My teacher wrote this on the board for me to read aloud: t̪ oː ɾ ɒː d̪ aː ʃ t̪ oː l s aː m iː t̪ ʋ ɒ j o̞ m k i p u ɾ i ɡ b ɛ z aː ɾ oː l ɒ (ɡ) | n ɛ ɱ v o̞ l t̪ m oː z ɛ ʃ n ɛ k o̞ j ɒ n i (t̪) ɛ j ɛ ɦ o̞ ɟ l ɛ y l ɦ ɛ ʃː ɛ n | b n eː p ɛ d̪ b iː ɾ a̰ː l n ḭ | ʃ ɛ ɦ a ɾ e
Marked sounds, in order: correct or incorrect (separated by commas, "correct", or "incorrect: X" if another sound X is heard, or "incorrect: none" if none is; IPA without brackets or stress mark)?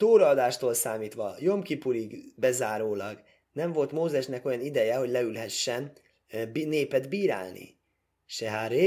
correct, incorrect: d̪